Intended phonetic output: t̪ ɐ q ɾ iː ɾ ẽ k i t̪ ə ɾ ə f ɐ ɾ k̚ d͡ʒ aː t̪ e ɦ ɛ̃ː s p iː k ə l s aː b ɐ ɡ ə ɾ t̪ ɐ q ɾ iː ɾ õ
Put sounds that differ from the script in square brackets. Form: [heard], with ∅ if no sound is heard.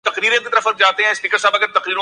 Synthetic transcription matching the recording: t̪ ɐ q ɾ iː ɾ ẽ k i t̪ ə ɾ ə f ɐ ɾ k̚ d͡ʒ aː t̪ e ɦ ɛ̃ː s p iː k ə [ɾ] s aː b ɐ ɡ ə ɾ t̪ ɐ q ɾ iː ɾ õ